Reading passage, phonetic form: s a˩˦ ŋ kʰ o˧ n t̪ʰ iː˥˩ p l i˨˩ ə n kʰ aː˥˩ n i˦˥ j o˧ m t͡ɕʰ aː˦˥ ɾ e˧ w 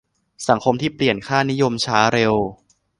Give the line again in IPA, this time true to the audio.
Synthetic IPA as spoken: s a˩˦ ŋ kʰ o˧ m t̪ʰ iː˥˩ p l i˨˩ ə n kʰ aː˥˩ n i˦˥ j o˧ m t͡ɕʰ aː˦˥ ɾ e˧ w